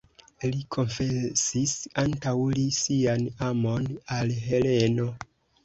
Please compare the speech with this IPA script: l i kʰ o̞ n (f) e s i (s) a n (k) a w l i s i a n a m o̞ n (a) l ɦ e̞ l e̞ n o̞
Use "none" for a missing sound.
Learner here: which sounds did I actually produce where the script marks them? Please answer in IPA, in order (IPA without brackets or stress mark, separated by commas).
f, s, t, a